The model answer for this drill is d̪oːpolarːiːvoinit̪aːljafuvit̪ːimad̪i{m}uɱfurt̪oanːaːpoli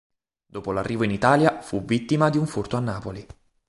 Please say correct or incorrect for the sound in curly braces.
incorrect